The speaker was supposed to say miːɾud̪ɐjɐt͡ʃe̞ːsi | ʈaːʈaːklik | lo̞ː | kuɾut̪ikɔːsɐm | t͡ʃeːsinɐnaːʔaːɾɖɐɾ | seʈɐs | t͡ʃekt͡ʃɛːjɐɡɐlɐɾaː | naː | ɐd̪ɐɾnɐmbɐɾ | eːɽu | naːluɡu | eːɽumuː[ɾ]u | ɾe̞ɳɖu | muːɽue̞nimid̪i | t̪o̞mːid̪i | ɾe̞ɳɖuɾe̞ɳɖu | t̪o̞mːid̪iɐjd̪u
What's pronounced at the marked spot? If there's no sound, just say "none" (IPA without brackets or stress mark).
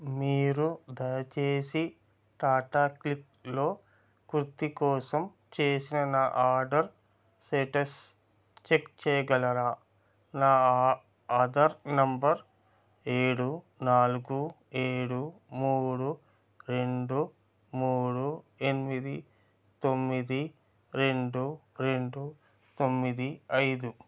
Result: ɽ